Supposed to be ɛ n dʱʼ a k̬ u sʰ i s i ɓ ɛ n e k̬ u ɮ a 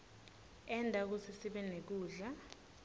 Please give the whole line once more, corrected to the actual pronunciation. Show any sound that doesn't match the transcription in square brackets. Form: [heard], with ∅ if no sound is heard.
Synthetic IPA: ɛ n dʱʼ a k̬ u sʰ i s i ɓ ɛ n e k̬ [uː] ɮ a